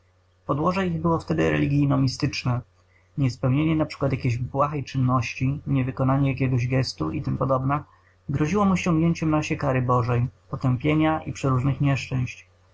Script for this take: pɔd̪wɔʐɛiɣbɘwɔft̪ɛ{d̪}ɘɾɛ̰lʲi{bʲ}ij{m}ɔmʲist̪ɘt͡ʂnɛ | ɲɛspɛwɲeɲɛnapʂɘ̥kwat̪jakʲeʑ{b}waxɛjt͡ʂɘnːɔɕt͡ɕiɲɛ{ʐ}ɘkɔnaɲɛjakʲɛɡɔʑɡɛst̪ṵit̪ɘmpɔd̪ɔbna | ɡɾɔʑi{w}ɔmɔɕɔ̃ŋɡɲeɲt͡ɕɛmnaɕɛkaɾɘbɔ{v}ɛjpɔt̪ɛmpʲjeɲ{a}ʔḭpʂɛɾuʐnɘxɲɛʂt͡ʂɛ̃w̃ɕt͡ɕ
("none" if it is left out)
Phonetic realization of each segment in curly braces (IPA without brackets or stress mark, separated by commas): d̪, ɡʲ, n, b, v, w, ʐ, a